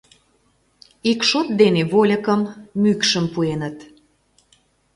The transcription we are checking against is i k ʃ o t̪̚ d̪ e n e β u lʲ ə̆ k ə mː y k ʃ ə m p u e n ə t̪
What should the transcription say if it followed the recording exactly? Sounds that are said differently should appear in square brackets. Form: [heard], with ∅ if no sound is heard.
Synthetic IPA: i k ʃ o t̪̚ d̪ e n e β [o] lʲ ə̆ k ə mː y k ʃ ə m p u e n ə t̪